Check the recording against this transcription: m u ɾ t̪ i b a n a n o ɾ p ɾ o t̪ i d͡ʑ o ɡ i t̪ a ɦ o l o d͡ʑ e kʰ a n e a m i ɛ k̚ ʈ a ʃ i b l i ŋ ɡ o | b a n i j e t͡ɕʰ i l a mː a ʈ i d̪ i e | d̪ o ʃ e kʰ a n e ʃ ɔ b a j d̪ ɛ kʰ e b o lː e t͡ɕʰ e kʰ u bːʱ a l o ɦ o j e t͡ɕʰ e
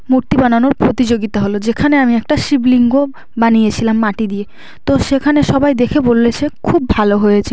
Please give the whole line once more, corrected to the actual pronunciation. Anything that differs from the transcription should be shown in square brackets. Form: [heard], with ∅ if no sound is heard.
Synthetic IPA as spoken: m u ɾ t̪ i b a n a n o ɾ p ɾ o t̪ i d͡ʑ o ɡ i t̪ a ɦ o l o d͡ʑ e kʰ a n e a m i ɛ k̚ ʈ a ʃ i b l i ŋ ɡ o | b a n i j e t͡ɕʰ i l a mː a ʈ i d̪ i e | [t̪] o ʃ e kʰ a n e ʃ ɔ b a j d̪ [e] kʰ e b o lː e t͡ɕʰ e kʰ u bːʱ a l o ɦ o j e t͡ɕʰ e

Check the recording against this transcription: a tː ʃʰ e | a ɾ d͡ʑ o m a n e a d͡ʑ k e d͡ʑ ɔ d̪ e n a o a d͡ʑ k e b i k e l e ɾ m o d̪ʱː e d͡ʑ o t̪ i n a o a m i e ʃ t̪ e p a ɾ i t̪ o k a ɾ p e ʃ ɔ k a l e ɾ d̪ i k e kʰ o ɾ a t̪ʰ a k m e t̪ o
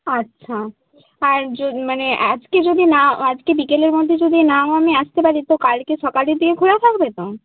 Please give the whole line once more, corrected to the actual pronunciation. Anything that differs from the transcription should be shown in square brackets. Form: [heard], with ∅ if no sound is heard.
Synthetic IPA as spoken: a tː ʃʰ [a] | a ɾ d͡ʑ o m a n e a d͡ʑ k e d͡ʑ [o] d̪ [i] n a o a d͡ʑ k e b i k e l e ɾ m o d̪ʱː e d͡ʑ o [d̪] i n a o a m i [a] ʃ t̪ e p a ɾ i t̪ o k a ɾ [k] e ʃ ɔ k a l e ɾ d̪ i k e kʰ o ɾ a t̪ʰ a k [b] e t̪ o

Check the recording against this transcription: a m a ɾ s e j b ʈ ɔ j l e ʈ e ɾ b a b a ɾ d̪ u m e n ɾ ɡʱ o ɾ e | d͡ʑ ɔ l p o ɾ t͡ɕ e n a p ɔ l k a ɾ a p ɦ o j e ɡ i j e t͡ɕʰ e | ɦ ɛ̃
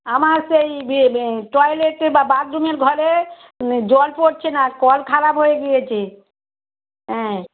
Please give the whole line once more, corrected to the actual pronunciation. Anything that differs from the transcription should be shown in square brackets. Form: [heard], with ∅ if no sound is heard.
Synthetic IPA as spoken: a m a ɾ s e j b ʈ ɔ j l e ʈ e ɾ b a b a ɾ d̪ u m e [∅] ɾ ɡʱ [ɔ] ɾ e | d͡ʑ ɔ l p o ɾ [t͡ɕʰ] e n a [k] ɔ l [kʰ] a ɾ a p ɦ o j e ɡ i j e t͡ɕʰ e | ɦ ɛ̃

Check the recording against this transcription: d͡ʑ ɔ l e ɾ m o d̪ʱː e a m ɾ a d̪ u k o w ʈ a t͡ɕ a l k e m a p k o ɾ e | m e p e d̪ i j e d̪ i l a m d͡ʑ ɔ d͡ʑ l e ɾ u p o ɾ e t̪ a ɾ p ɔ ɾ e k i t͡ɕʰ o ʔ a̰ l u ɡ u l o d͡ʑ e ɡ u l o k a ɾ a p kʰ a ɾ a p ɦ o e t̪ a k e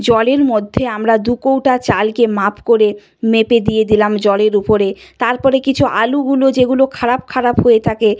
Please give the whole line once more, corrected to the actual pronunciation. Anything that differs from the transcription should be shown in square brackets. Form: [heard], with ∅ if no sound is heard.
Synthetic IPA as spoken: d͡ʑ ɔ l e ɾ m o d̪ʱː e a m ɾ a d̪ u k o w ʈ a t͡ɕ a l k e m a p k o ɾ e | m e p e d̪ i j e d̪ i l a m d͡ʑ ɔ [∅] l e ɾ u p o ɾ e t̪ a ɾ p ɔ ɾ e k i t͡ɕʰ [u] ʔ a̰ l u ɡ u l o d͡ʑ e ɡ u l o [kʰ] a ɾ a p kʰ a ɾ a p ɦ o e [t̪ʰ] a k e

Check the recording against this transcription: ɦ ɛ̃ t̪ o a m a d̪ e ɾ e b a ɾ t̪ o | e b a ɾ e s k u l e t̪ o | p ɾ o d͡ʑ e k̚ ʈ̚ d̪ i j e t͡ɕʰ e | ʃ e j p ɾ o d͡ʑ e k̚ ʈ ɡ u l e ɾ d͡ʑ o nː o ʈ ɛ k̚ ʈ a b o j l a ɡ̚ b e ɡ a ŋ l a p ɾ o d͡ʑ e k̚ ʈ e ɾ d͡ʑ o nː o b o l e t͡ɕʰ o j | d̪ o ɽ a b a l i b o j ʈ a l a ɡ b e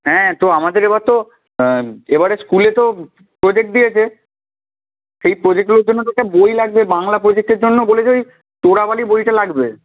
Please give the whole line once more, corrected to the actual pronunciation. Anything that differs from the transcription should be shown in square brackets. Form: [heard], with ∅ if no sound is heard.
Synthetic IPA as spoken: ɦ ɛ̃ t̪ o a m a d̪ e ɾ e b a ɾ t̪ o | e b a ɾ e s k u l e t̪ o | p ɾ o d͡ʑ e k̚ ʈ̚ d̪ i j e t͡ɕʰ e | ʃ e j p ɾ o d͡ʑ e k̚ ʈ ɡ u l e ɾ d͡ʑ o nː o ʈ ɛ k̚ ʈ a b o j l a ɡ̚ b e [b] a ŋ l a p ɾ o d͡ʑ e k̚ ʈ e ɾ d͡ʑ o nː o b o l e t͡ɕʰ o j | [t̪] o ɽ a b a l i b o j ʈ a l a ɡ b e

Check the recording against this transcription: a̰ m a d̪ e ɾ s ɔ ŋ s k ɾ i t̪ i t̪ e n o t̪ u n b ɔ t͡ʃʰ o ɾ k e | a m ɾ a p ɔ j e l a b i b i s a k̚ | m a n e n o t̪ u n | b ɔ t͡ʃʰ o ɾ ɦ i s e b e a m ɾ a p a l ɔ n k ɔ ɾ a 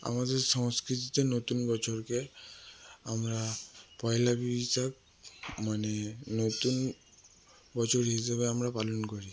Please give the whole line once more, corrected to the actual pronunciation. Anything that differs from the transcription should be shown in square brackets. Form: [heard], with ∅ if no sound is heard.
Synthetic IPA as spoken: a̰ m a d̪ e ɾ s ɔ ŋ s k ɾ i t̪ i t̪ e n o t̪ u n b ɔ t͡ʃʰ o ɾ k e | a m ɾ a p ɔ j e l a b i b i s a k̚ | m a n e n o t̪ u n | b ɔ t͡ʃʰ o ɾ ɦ i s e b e a m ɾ a p a l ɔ n k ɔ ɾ [i]

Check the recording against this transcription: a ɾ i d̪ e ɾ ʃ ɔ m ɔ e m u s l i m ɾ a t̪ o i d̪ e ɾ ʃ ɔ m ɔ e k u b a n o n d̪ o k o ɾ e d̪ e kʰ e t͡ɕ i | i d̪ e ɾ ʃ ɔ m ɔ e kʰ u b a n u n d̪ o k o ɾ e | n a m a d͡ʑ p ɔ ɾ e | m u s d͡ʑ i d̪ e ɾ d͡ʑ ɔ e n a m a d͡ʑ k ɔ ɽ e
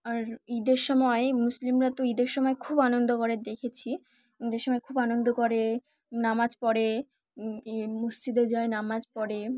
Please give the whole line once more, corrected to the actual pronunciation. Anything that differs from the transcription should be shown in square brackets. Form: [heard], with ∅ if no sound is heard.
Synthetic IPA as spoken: a ɾ i d̪ e ɾ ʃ ɔ m ɔ e m u s l i m ɾ a t̪ o i d̪ e ɾ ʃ ɔ m ɔ e [kʰ] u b a n o n d̪ o k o ɾ e d̪ e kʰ e [t͡ɕʰ] i | i d̪ e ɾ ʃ ɔ m ɔ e kʰ u b a n [o] n d̪ o k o ɾ e | n a m a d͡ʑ p ɔ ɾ e | m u s d͡ʑ i d̪ e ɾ d͡ʑ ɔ e n a m a d͡ʑ [p] ɔ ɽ e

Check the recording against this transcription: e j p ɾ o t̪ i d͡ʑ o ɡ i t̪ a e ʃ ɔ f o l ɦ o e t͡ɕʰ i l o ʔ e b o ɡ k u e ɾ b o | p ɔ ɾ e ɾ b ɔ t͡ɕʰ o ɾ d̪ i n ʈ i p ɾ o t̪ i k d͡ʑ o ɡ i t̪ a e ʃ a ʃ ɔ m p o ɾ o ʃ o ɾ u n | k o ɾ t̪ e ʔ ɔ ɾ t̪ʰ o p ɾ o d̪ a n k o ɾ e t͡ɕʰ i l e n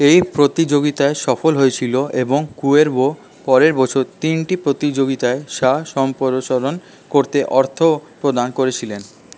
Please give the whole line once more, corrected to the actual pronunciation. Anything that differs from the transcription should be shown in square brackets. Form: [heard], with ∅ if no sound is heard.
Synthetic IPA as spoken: e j p ɾ o t̪ i d͡ʑ o ɡ i t̪ a e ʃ ɔ f o l ɦ o e t͡ɕʰ i l o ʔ e b o [ŋ] k u e ɾ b o | p ɔ ɾ e ɾ b ɔ t͡ɕʰ o ɾ [t̪] i n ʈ i p ɾ o t̪ i [∅] d͡ʑ o ɡ i t̪ a e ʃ a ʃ ɔ m p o ɾ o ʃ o ɾ [o] n | k o ɾ t̪ e ʔ ɔ ɾ t̪ʰ o p ɾ o d̪ a n k o ɾ e t͡ɕʰ i l e n

